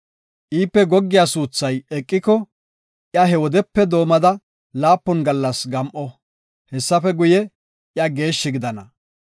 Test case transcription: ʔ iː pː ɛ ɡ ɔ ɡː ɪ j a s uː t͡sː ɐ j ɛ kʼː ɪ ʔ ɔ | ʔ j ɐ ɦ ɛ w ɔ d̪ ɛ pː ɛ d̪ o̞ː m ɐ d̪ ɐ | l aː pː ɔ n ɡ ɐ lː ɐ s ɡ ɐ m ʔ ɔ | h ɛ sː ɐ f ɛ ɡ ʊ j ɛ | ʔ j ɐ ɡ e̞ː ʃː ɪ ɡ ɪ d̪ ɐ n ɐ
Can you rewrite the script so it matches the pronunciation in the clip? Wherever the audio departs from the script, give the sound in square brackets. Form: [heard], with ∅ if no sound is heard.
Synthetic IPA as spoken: ʔ iː pː ɛ ɡ ɔ ɡː ɪ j a s uː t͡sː ɐ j ɛ kʼː ɪ [k] ɔ | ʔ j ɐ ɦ ɛ w ɔ d̪ ɛ pː ɛ d̪ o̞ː m ɐ d̪ ɐ | l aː pː ɔ n ɡ ɐ lː ɐ s ɡ ɐ m ʔ ɔ | h ɛ sː ɐ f ɛ ɡ ʊ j ɛ | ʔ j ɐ ɡ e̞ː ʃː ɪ ɡ ɪ d̪ ɐ n ɐ